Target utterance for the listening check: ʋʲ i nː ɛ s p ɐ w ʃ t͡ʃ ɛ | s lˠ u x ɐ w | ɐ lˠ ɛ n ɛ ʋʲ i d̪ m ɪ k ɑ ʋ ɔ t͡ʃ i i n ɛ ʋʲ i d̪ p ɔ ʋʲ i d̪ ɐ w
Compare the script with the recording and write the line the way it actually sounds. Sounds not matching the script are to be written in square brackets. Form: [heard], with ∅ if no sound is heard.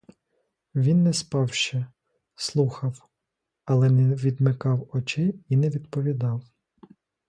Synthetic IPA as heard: ʋʲ i nː ɛ s p [ɑ] w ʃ t͡ʃ ɛ | s lˠ u x ɐ w | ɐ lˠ ɛ n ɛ ʋʲ i d̪ m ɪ k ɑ [w] ɔ t͡ʃ [ɪ] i n ɛ ʋʲ i d̪ p ɔ ʋʲ i d̪ [ɑ] w